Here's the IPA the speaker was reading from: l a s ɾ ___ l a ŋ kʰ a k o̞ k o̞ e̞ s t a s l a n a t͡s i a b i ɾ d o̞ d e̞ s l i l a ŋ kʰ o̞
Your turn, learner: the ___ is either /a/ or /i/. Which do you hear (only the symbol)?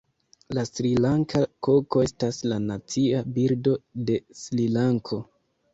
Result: i